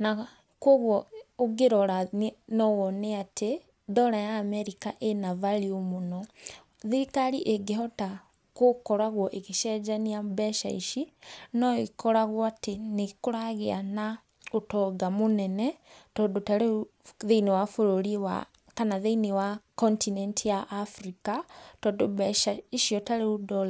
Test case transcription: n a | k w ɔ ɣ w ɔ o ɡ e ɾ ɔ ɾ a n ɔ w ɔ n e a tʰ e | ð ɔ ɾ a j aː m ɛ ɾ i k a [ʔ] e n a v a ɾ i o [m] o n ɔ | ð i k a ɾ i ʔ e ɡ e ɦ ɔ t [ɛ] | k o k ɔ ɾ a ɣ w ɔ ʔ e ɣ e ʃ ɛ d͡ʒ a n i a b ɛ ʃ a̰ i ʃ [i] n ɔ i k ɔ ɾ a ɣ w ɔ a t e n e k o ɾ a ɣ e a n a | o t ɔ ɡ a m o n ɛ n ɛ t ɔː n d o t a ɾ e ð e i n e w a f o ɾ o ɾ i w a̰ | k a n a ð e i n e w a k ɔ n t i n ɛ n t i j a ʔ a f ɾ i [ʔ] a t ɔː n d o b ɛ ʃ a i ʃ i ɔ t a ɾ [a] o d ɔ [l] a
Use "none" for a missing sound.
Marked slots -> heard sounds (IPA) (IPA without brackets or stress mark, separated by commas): ʔ, m, a, i, k, e, l